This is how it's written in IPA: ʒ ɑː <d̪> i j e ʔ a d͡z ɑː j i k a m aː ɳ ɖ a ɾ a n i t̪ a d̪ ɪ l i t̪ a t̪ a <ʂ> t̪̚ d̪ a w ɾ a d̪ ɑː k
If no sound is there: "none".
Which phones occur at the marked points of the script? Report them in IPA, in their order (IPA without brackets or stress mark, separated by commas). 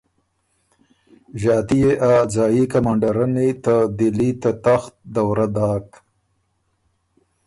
t̪, x